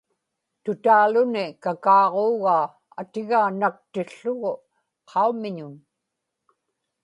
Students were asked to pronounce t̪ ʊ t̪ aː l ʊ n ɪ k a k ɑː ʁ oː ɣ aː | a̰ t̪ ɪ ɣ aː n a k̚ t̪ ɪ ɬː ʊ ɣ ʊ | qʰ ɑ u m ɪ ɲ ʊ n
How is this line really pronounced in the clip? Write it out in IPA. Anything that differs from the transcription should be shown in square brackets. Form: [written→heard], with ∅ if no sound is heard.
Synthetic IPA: t̪ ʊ t̪ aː l ʊ n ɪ k a k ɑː ʁ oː ɣ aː | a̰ t̪ ɪ ɣ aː n a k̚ t̪ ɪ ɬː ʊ ɣ ʊ | qʰ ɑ u m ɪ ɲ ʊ n